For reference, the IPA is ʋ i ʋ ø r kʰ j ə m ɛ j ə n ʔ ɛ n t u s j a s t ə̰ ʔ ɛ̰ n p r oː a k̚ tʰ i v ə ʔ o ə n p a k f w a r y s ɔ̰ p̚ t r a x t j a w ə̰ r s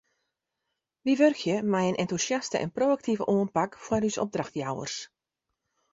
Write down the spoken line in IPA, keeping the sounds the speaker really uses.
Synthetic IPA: ʋ i ʋ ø r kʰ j ə m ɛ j ə n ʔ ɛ n t u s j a s t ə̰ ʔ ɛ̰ n p r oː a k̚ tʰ i v ə ʔ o ə n p a k f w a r y s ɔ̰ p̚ d r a x t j a w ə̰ r s